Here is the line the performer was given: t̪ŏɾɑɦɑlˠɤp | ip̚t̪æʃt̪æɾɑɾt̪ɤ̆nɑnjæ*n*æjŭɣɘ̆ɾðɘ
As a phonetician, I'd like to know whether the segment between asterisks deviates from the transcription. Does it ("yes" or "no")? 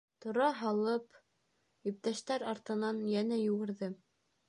no